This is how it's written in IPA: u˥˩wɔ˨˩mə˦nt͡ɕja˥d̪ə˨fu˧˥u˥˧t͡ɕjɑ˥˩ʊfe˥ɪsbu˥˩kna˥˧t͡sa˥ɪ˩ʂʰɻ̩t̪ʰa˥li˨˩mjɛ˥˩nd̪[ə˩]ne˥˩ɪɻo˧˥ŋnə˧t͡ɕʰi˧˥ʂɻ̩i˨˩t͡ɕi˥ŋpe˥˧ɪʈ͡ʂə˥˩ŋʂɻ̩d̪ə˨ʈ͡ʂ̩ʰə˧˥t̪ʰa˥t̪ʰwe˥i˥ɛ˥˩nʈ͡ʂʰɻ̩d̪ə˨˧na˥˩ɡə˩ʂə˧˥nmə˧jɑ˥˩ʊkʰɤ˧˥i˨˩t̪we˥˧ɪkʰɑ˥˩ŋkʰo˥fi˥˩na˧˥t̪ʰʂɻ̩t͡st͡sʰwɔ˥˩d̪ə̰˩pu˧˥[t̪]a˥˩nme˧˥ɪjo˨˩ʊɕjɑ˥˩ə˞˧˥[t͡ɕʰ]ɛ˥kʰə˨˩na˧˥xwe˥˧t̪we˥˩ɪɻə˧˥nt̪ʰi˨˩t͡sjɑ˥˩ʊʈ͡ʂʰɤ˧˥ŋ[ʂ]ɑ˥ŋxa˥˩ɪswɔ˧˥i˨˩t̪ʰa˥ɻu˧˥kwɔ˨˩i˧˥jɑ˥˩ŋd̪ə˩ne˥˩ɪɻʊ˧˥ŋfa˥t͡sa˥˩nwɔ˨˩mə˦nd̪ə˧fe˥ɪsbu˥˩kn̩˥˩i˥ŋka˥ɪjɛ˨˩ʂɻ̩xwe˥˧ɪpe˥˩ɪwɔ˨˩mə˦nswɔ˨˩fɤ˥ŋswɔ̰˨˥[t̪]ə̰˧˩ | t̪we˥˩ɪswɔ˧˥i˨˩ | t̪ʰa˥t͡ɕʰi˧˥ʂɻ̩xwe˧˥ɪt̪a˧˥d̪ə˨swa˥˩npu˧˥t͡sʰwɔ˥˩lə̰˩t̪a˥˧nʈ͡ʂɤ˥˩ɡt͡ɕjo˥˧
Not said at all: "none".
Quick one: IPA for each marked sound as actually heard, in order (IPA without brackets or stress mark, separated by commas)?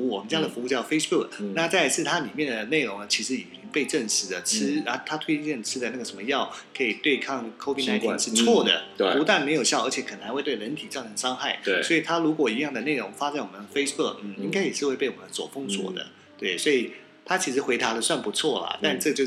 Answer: ə˩, t̪, t͡ɕʰ, ʂ, d̪